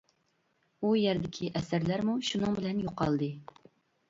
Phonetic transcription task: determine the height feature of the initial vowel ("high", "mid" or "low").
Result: high